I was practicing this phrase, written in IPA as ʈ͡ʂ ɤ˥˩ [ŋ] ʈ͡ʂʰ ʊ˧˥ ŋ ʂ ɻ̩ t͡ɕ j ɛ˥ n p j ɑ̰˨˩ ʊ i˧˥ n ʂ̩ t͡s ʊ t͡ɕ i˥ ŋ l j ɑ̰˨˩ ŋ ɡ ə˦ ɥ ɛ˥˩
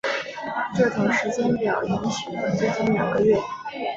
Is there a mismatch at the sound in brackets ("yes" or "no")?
yes